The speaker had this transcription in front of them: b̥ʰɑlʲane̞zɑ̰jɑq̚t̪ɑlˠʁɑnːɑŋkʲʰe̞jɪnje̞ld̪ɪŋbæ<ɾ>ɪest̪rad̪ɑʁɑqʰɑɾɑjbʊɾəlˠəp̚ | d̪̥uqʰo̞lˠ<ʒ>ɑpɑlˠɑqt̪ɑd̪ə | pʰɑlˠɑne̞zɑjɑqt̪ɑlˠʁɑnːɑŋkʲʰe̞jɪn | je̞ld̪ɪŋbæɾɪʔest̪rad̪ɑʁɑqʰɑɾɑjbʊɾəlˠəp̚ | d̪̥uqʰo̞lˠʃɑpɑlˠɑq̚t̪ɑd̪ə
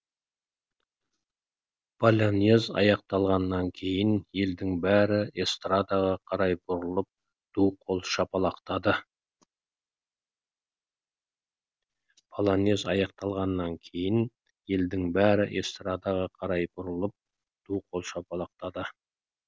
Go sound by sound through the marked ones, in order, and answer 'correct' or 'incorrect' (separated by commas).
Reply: correct, incorrect